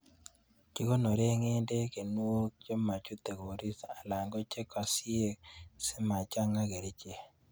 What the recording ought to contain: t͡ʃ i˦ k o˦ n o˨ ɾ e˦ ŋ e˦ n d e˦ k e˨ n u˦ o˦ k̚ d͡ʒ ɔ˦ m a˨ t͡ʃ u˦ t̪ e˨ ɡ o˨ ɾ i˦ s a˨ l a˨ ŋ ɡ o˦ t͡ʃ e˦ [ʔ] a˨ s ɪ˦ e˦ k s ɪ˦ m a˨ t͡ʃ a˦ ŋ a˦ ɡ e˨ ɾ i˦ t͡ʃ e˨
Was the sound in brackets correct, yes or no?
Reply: no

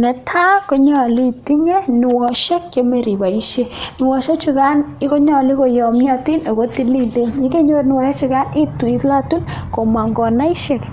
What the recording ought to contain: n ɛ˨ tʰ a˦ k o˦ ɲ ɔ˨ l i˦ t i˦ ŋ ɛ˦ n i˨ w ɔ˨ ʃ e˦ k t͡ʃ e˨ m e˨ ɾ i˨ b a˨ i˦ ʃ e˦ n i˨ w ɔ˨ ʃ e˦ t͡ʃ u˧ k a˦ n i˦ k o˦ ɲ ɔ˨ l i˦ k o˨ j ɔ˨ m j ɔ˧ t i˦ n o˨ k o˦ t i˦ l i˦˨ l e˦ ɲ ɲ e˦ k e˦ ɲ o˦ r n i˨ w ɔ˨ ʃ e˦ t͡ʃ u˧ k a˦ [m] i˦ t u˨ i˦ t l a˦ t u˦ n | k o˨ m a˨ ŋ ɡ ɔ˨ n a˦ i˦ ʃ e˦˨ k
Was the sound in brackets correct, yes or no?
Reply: no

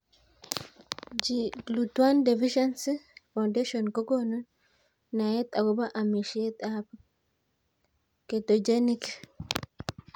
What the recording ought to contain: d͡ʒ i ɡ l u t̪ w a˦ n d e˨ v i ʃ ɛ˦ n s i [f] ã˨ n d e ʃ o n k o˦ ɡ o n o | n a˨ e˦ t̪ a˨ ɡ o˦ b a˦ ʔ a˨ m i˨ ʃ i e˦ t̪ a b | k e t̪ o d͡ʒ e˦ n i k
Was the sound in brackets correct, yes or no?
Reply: yes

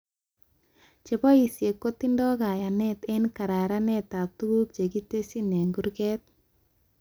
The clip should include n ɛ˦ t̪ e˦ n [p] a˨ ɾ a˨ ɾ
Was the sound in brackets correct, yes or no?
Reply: no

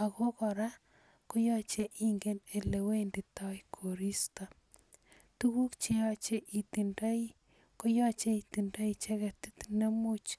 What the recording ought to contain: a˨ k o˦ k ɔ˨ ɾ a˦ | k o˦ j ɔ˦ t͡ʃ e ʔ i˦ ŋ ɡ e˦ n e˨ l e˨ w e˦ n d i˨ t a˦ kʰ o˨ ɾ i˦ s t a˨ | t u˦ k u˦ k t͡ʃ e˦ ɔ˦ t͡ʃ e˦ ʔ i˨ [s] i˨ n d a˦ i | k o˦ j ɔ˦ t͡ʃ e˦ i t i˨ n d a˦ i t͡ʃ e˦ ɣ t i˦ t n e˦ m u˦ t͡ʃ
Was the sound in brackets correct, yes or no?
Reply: no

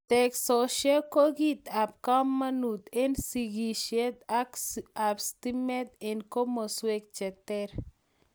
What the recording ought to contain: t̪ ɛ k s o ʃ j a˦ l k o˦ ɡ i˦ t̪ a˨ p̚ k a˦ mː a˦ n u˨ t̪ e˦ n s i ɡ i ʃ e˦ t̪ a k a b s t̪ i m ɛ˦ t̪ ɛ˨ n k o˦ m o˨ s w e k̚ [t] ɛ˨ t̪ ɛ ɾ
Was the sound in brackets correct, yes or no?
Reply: no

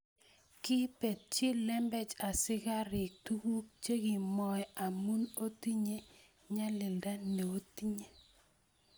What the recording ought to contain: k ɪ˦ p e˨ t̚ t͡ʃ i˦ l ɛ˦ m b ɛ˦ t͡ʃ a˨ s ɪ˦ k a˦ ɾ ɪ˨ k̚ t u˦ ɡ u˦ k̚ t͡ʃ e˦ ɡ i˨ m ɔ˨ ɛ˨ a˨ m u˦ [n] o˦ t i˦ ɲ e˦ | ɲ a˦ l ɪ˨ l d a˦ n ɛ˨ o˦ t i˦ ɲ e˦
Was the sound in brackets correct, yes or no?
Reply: yes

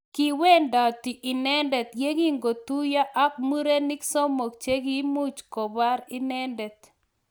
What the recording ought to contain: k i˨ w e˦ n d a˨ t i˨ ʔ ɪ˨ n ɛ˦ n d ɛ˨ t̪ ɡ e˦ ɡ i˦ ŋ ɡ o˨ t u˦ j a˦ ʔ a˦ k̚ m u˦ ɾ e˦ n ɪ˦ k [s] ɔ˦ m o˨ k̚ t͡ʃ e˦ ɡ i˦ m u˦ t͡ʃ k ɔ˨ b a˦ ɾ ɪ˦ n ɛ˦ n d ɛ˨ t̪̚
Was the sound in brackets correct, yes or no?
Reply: yes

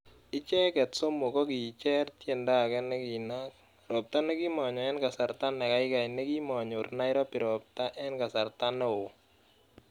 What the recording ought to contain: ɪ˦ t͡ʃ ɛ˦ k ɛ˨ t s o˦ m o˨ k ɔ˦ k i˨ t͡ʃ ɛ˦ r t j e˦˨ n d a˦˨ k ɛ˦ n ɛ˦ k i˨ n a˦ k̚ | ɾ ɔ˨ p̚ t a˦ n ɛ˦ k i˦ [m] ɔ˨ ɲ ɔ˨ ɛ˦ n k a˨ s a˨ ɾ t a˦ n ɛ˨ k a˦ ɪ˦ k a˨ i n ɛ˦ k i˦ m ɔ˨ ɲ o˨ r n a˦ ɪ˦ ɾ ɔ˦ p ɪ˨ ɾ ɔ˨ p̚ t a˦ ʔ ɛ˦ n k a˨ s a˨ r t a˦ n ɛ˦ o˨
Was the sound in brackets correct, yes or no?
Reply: yes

